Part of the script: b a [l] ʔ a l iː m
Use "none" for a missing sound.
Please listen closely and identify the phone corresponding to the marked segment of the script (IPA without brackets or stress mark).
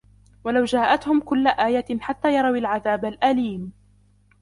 l